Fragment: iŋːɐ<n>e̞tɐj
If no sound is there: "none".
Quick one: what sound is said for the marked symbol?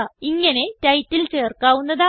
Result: n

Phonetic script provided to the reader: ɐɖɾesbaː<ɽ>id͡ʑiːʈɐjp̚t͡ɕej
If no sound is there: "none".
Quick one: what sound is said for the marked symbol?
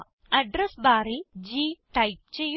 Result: ɾ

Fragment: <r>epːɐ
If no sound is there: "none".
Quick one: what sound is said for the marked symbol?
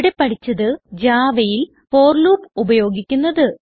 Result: ɽ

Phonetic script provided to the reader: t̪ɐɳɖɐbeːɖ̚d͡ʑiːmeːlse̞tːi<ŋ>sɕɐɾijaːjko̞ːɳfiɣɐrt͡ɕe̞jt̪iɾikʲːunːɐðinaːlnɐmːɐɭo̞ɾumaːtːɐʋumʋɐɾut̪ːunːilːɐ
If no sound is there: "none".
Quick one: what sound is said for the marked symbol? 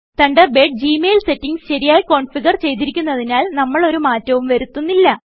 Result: ŋ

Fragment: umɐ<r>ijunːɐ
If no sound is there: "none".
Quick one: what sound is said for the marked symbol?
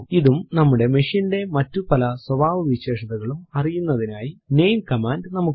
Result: r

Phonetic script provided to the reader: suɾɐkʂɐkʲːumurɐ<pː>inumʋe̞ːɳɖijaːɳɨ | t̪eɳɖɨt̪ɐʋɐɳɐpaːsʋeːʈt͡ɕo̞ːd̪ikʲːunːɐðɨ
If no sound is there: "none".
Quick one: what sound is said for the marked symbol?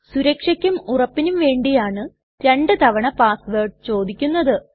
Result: pː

